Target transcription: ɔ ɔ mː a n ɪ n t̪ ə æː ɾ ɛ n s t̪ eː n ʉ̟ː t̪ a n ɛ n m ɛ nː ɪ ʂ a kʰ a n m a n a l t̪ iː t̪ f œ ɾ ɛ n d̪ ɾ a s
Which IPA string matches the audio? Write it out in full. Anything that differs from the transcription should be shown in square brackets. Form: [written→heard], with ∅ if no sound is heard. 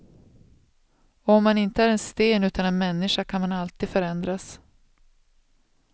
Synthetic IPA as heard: ɔ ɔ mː a n ɪ n t̪ ə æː ɾ ɛ n s t̪ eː n ʉ̟ː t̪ a n ɛ n m ɛ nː ɪ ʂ a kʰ a n m a n a l t̪ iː [t̪→d̪] f œ ɾ ɛ n d̪ ɾ a s